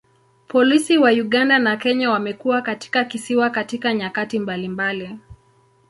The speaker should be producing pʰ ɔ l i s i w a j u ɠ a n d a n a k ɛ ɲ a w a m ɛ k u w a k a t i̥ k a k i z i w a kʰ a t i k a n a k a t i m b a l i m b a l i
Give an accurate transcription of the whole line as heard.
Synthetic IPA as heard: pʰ ɔ l i s i w a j u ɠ a n d a n a k ɛ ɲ a w a m ɛ k u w a k a t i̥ k a k i s i w a k a t i k a ɲ a k a t i m b a l i m b a l i